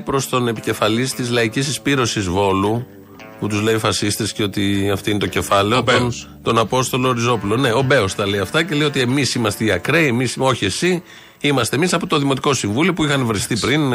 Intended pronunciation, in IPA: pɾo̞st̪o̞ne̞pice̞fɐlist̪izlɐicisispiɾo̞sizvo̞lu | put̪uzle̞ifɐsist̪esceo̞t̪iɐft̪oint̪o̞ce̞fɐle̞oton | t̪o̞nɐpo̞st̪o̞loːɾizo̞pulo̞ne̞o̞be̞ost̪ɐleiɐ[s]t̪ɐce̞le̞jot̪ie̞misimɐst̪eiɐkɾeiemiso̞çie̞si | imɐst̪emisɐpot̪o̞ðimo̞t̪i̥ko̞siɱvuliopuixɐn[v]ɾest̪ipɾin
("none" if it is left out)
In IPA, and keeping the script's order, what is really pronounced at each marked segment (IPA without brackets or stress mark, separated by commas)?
f, v